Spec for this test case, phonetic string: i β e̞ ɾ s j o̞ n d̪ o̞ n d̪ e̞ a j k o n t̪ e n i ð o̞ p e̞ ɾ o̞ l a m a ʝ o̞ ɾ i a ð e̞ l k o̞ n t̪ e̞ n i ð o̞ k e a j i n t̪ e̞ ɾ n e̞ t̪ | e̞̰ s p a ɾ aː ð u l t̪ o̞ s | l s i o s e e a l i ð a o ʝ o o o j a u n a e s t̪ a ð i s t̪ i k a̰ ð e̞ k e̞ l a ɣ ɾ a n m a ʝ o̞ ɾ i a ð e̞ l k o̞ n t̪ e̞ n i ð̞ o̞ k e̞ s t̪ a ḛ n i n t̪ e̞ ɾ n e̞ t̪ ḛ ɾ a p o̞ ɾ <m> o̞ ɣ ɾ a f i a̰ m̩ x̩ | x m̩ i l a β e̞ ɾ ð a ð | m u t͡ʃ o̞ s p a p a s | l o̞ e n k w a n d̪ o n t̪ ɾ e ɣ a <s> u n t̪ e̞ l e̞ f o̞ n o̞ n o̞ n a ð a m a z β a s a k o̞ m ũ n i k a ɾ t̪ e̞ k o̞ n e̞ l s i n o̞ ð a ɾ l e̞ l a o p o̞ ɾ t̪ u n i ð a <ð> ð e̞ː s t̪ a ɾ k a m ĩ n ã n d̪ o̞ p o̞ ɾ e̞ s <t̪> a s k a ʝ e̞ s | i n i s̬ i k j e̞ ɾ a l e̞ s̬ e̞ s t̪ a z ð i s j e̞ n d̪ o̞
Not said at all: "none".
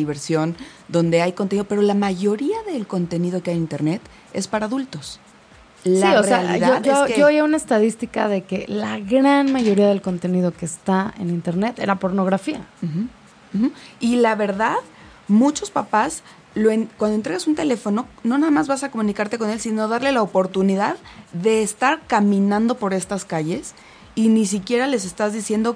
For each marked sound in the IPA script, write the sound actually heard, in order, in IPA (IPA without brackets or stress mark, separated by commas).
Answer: n, s, ð, t̪